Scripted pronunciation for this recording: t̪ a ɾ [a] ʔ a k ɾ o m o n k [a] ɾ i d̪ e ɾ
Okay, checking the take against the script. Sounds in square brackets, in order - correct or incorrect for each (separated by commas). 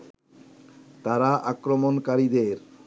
correct, correct